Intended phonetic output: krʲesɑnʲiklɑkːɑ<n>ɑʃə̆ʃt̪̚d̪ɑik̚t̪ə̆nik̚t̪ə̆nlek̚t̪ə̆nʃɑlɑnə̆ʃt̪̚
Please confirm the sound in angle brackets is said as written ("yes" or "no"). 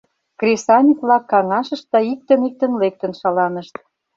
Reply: no